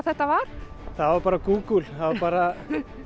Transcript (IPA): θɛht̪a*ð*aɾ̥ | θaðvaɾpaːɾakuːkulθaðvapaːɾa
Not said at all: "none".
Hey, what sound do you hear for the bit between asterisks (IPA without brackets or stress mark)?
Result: v